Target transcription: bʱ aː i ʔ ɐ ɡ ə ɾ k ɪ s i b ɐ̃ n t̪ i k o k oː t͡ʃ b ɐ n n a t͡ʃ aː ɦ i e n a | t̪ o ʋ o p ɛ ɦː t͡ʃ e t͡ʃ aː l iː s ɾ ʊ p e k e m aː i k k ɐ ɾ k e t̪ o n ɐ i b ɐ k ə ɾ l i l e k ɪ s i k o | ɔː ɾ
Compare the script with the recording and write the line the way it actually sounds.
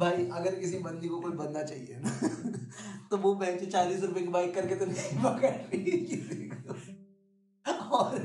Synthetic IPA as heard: bʱ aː i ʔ ɐ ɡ ə ɾ k ɪ s i b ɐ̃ n d̪ i k o k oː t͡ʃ b ɐ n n a t͡ʃ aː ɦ i e n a | t̪ o ʋ o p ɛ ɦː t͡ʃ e t͡ʃ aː l iː s ɾ ʊ p e k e b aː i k k ɐ ɾ k e t̪ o n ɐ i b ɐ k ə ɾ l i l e k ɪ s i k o | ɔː ɾ